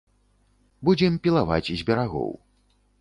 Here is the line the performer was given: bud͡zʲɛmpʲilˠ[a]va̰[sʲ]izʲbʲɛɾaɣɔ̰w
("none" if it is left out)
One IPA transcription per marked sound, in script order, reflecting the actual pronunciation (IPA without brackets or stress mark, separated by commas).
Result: a, t͡sʲ